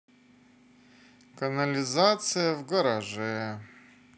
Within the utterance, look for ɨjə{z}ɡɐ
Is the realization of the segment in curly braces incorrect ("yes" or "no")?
yes